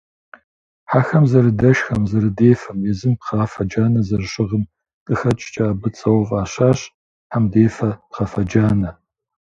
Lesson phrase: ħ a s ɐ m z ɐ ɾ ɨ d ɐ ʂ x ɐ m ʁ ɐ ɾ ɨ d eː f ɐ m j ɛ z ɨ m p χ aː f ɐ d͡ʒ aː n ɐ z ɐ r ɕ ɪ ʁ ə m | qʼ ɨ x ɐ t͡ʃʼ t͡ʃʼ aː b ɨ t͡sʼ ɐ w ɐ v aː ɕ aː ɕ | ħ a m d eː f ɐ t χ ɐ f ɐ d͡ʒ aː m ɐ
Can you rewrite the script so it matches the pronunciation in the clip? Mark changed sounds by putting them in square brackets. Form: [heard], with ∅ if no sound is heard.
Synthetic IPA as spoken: ħ a [x] ɐ m z ɐ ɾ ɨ d ɐ [ʃ] x ɐ m [z] ɐ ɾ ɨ d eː f ɐ m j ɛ z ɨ m p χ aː f ɐ d͡ʒ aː n ɐ z ɐ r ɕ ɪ ʁ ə m | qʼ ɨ x ɐ t͡ʃʼ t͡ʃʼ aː b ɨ t͡sʼ ɐ w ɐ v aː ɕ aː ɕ | ħ a m d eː f ɐ [p] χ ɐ f ɐ d͡ʒ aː [n] ɐ